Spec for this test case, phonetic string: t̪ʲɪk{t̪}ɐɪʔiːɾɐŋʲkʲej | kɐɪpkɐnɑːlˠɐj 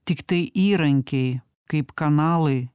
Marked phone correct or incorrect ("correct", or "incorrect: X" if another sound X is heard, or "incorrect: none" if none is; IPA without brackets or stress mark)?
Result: correct